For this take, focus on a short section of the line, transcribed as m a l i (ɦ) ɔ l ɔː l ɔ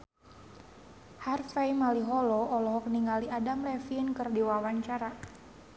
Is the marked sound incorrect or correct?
correct